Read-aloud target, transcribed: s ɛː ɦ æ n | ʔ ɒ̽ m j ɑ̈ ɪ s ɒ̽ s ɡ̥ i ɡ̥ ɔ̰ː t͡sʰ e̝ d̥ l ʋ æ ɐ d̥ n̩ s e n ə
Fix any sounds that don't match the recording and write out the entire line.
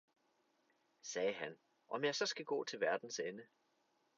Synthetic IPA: s ɛː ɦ æ n | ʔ ɒ̽ m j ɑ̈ ɪ s ɒ̽ s ɡ̥ æ ɡ̥ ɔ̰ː t͡sʰ e̝ l ʋ æ ɐ d̥ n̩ s e n ə